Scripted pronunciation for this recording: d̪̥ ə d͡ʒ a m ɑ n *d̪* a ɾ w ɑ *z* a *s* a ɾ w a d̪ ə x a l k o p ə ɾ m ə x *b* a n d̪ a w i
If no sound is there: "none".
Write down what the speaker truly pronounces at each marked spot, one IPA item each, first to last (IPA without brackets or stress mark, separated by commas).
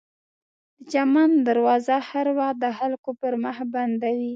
d̪, z, h, b